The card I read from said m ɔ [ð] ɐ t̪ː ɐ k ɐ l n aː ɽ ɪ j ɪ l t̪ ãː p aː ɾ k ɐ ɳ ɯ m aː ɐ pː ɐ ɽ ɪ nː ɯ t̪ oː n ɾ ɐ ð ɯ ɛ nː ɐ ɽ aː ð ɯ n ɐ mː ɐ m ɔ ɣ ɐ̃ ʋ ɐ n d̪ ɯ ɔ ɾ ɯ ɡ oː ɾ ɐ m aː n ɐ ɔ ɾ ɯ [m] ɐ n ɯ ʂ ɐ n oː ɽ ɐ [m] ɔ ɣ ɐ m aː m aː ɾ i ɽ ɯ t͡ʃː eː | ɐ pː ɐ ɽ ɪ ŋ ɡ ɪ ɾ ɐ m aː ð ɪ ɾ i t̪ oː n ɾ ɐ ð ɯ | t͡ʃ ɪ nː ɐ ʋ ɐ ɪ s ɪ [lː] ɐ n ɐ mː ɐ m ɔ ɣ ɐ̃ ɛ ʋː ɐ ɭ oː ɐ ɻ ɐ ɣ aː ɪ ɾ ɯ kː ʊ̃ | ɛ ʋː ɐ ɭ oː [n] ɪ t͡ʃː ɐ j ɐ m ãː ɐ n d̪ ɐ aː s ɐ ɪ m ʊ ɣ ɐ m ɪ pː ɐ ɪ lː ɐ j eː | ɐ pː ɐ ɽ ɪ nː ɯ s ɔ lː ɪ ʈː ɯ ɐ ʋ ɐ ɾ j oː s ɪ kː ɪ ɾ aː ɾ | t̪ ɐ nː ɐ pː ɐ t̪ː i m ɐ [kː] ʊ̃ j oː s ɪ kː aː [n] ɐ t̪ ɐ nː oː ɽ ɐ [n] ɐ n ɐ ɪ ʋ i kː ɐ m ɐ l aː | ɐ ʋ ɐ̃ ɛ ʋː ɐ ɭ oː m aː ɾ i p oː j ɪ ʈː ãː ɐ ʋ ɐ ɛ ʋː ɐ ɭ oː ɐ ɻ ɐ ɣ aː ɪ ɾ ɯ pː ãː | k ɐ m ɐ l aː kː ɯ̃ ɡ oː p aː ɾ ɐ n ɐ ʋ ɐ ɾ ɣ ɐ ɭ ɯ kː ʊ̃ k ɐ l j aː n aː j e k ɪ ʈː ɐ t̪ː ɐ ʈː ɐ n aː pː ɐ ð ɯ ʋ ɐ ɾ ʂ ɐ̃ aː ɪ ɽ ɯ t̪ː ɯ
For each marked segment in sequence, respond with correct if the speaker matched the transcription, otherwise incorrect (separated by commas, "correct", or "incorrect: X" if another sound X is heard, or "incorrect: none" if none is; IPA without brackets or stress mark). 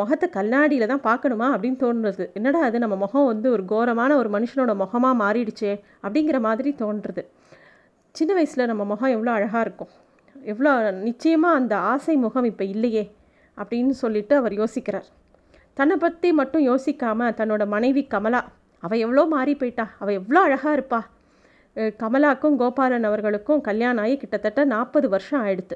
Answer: incorrect: ɣ, correct, correct, incorrect: l, correct, incorrect: ʈː, incorrect: m, incorrect: m